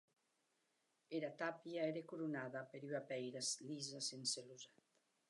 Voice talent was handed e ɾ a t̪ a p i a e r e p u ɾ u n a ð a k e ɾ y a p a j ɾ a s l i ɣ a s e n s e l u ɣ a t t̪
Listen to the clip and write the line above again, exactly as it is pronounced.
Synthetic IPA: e ɾ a t̪ a p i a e ɾ e k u ɾ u n a ð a p e ɾ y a p ɛ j ɾ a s l i z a s e n s e l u z a t t̪